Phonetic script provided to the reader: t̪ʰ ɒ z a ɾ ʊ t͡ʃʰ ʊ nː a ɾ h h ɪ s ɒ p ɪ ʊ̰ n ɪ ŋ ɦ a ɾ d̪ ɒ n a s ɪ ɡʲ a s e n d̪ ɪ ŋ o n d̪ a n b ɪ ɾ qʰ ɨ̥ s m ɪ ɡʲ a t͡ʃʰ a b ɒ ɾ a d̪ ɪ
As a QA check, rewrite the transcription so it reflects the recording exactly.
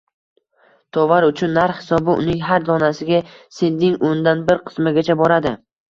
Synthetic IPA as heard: t̪ʰ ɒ v a ɾ ʊ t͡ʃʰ ʊ nː a ɾ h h ɪ s ɒ b ɪ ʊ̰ n ɪ ŋ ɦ a ɾ d̪ ɒ n a s ɪ ɡʲ a s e n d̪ ɪ ŋ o n d̪ a n b ɪ ɾ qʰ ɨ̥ s m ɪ ɡʲ a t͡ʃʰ a b ɒ ɾ a d̪ ɪ